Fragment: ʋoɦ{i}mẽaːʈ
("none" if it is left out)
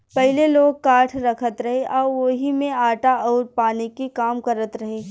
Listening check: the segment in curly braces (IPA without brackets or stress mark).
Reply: i